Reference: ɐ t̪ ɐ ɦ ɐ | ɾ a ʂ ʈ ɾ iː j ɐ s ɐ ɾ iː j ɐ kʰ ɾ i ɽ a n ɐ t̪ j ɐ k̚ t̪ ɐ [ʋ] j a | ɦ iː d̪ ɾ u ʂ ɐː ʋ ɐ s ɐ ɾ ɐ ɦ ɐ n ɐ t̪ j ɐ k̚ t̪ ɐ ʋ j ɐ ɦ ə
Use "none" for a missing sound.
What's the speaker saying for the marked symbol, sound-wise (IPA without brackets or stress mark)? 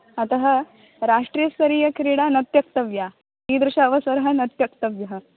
ʋ